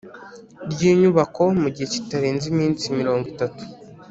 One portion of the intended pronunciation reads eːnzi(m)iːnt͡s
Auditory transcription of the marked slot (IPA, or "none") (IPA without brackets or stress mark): m